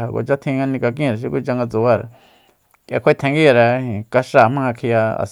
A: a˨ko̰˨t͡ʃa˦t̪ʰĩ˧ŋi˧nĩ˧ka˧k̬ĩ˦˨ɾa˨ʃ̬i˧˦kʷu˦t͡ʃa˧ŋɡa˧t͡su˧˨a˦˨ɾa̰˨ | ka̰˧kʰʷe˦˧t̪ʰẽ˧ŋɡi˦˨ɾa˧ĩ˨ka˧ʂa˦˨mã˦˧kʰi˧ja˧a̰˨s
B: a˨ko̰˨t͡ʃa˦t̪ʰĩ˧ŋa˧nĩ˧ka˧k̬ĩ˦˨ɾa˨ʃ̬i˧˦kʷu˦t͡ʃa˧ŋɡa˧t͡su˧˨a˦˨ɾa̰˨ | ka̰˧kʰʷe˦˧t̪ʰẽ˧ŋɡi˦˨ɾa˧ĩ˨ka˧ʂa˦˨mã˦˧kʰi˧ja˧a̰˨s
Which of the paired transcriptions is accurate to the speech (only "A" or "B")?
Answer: B